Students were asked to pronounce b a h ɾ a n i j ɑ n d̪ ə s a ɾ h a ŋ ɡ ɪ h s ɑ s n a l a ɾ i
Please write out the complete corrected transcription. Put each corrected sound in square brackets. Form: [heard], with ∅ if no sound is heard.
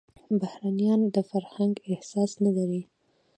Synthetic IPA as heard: b a h ɾ a n i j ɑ n d̪ ə [f] a ɾ h a ŋ ɡ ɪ h s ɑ s n a l a ɾ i